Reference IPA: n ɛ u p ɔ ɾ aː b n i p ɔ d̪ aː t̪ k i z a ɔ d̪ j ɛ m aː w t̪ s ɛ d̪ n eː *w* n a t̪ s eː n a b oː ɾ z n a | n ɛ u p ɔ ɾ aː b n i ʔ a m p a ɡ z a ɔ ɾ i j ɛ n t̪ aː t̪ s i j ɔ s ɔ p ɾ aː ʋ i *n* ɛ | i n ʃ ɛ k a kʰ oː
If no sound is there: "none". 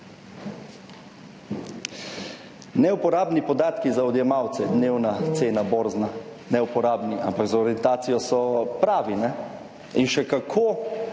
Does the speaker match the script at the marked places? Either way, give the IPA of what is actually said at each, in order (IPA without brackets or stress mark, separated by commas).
w, n